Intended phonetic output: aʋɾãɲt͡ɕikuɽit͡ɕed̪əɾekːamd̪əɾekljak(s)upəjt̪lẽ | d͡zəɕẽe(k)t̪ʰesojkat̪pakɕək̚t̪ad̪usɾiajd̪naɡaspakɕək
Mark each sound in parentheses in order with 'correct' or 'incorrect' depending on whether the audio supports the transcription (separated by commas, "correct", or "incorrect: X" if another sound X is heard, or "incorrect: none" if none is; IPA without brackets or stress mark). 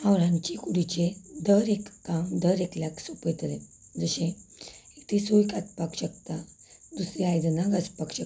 correct, correct